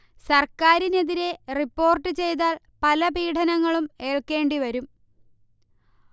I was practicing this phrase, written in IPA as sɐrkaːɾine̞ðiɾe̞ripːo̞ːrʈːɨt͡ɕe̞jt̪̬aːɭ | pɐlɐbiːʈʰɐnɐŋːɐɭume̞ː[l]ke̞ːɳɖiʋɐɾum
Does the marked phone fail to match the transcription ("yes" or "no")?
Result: yes